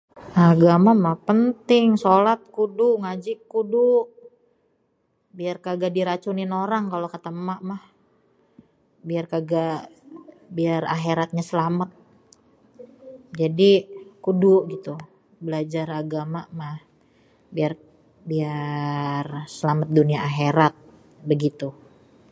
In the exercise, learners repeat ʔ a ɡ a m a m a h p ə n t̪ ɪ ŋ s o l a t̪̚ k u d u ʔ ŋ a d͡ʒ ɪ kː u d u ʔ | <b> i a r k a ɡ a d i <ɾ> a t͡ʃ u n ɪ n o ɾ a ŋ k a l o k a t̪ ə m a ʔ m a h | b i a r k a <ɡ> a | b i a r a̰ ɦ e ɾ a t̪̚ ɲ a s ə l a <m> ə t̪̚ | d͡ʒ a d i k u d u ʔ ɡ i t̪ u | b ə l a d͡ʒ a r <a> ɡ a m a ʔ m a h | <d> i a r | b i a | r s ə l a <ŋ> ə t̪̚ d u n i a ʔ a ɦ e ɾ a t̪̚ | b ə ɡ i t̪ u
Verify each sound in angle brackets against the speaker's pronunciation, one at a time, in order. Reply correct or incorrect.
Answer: correct, correct, correct, correct, correct, incorrect: b, incorrect: m

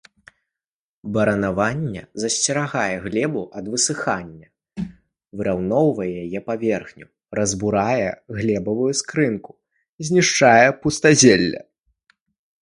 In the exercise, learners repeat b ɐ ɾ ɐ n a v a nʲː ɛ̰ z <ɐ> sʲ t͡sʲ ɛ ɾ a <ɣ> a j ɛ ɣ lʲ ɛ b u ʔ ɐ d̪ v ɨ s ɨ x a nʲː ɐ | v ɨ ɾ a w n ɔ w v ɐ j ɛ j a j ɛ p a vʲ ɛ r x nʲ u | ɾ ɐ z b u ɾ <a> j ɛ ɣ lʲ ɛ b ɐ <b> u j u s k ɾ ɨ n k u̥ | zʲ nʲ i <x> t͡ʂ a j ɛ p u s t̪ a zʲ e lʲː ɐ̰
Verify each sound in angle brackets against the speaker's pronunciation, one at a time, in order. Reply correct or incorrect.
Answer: correct, correct, correct, incorrect: v, incorrect: ʂ

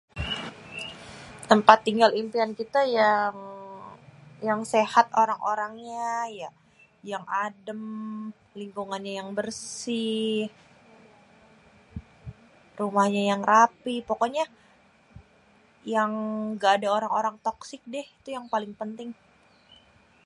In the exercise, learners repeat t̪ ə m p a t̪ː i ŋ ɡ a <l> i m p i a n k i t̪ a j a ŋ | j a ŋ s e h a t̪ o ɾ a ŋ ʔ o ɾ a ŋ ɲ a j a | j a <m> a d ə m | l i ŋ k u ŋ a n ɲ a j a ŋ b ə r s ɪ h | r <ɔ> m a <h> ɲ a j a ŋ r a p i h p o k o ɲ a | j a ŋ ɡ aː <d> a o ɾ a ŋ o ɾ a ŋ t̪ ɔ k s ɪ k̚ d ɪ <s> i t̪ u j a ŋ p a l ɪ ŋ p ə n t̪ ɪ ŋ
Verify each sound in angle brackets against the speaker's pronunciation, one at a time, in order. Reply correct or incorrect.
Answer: correct, incorrect: ŋ, incorrect: u, correct, correct, incorrect: h

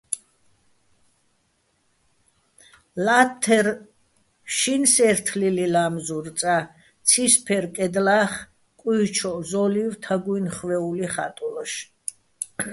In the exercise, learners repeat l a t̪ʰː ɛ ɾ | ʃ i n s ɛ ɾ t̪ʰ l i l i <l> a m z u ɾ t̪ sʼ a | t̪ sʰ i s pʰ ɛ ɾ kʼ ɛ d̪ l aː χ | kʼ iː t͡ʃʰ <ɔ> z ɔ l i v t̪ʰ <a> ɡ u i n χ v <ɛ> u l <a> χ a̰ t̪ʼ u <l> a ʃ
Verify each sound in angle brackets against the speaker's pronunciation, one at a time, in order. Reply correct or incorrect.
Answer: correct, correct, correct, correct, incorrect: i, correct

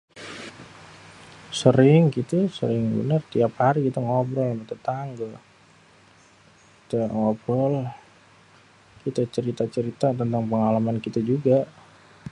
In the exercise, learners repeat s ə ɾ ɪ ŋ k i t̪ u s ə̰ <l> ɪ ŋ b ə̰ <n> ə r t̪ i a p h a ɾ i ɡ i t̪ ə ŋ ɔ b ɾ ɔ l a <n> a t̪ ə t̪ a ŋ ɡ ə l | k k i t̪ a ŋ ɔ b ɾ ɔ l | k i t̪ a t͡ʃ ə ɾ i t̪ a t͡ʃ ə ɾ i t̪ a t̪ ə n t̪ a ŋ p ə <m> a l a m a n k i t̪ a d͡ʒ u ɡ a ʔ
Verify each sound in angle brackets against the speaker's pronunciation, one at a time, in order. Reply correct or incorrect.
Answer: incorrect: ɾ, correct, incorrect: m, incorrect: ŋ

